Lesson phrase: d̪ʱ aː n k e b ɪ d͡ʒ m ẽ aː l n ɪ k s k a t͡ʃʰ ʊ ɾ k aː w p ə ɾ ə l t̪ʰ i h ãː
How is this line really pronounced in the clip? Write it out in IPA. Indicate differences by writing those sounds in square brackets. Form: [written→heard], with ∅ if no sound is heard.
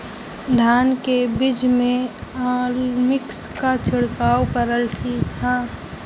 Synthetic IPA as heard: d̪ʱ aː n k e b ɪ d͡ʒ m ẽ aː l [n→m] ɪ k s k a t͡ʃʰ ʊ [ɾ→ɽ] k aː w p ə ɾ ə l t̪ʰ i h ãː